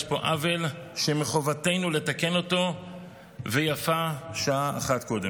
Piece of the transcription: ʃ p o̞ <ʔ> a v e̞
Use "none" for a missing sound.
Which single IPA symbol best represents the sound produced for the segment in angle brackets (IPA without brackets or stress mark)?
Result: ʔ